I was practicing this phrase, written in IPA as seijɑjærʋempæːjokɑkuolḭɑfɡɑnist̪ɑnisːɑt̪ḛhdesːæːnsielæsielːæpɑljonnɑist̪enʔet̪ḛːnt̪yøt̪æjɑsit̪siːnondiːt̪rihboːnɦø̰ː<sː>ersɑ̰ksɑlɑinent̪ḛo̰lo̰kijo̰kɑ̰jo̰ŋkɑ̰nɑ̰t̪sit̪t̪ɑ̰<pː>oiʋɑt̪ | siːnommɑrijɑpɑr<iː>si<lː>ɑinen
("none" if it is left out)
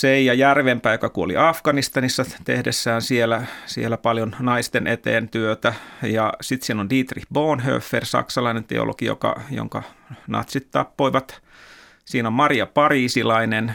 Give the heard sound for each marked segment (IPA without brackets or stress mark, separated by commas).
fː, pː, iː, l